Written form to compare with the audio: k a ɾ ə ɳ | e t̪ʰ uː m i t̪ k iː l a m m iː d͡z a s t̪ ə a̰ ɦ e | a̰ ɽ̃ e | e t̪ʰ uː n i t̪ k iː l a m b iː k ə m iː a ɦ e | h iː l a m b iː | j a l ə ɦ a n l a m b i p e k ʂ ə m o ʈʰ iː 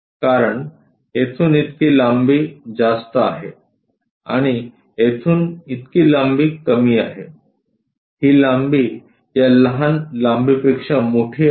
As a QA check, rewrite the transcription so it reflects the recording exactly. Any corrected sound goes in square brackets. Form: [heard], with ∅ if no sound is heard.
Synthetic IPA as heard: k a ɾ ə ɳ | e t̪ʰ uː [n] i t̪ k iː l a m [b] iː d͡z a s t̪ ə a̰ ɦ e | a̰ ɽ̃ [i] | e t̪ʰ uː n i t̪ k iː l a m b iː k ə m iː a ɦ e | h iː l a m b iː | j a l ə ɦ a n l a m b i p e k ʂ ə m o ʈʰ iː